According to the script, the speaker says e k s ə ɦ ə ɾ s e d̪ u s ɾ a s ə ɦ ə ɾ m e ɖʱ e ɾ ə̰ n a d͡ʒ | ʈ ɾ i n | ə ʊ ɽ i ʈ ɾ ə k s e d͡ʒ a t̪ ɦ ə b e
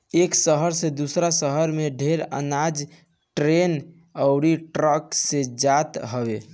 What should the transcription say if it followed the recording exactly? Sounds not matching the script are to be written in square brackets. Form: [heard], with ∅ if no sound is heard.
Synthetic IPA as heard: e k s ə ɦ ə ɾ s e d̪ u s ɾ a s ə ɦ ə ɾ m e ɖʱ e ɾ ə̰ n a d͡ʒ | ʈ ɾ [e] n | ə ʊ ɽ i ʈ ɾ ə k s e d͡ʒ a t̪ ɦ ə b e

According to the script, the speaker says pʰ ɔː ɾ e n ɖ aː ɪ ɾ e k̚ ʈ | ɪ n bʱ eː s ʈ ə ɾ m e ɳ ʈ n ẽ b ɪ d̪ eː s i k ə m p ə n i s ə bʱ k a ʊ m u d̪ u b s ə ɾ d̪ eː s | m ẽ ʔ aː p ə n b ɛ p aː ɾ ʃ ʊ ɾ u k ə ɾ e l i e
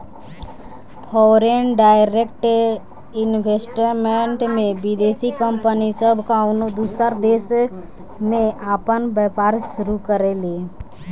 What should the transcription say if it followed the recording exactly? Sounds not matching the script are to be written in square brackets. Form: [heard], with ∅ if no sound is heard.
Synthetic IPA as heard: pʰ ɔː ɾ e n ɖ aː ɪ ɾ e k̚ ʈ | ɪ n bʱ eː s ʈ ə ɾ m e ɳ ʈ [m] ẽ b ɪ d̪ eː s i k ə m p ə n i s ə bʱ k a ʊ [n] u d̪ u [∅] s ə ɾ d̪ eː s | m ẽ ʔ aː p ə n b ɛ p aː ɾ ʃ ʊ ɾ u k ə ɾ e l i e

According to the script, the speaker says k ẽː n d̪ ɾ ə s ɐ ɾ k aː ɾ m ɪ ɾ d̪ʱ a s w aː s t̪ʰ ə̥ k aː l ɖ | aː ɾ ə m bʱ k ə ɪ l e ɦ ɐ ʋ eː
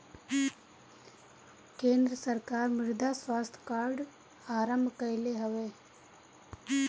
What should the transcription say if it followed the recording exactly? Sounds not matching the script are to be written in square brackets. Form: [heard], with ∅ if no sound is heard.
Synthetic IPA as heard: k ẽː n d̪ ɾ ə s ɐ ɾ k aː ɾ m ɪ ɾ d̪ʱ a s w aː s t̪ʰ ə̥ k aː [ɾ] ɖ | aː ɾ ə m bʱ k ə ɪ l e ɦ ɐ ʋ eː

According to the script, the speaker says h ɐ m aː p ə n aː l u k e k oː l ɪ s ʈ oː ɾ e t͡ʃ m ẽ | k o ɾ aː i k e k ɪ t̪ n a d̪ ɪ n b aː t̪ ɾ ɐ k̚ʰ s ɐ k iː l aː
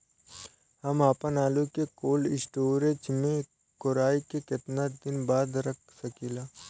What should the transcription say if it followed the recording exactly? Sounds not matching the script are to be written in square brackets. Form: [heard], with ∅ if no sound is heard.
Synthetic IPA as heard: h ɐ m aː p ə n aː l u k e k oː l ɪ s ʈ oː ɾ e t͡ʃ m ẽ | k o ɾ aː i k e k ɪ t̪ n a d̪ ɪ n b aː [d̪] ɾ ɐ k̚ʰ s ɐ k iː l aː

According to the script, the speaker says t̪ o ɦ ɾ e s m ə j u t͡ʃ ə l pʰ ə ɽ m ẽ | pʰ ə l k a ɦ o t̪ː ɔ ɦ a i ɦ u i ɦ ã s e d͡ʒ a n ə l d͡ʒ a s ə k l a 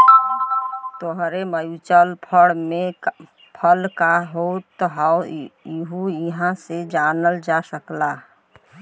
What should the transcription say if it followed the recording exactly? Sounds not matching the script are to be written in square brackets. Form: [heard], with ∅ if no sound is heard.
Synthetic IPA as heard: t̪ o ɦ ɾ e [∅] m ə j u t͡ʃ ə l pʰ ə ɽ m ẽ | pʰ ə l k a ɦ o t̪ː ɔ ɦ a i ɦ u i ɦ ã s e d͡ʒ a n ə l d͡ʒ a s ə k l a

